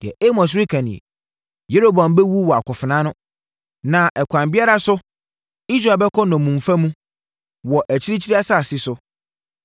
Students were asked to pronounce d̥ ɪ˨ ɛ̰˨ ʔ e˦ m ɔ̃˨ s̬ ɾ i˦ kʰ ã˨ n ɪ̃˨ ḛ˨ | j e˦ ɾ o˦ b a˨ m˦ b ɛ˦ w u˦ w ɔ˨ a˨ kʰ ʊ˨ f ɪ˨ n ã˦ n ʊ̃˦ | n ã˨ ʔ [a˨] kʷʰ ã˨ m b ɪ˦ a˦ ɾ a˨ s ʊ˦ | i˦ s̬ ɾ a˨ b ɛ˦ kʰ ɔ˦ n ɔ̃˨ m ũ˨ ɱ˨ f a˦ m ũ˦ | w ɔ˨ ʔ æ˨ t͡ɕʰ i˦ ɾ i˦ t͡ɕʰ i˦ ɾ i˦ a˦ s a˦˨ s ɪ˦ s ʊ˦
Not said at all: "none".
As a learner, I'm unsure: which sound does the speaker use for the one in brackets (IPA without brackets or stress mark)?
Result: ɛ˨